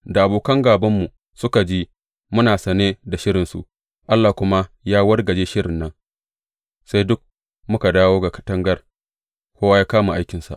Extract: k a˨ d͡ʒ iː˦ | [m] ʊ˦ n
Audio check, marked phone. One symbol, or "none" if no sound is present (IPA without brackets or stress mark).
m